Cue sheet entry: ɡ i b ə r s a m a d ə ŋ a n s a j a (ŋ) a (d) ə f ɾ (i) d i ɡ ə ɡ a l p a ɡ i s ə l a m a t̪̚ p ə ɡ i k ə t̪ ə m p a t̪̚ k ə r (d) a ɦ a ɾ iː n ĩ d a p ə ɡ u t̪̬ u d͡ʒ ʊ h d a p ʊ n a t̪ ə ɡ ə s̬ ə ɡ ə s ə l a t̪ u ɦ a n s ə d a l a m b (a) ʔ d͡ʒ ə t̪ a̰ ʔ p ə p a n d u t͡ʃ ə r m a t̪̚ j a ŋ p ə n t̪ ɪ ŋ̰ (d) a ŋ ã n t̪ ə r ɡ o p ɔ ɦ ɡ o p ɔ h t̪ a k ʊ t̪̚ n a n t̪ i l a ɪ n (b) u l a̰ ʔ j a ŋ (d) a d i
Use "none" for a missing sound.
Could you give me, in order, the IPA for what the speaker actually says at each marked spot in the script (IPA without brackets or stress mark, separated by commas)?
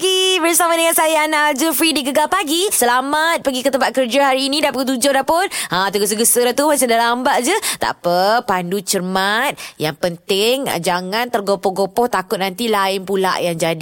n, d͡ʒ, i, d͡ʒ, a, d͡ʒ, p, d͡ʒ